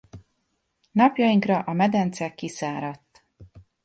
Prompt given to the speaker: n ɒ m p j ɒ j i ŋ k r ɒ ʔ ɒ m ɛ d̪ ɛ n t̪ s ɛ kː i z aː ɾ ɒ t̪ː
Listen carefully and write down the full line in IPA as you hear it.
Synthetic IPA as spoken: n ɒ p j ɒ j i ŋ k r ɒ ʔ ɒ m ɛ d̪ ɛ n t̪ s ɛ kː i s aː ɾ ɒ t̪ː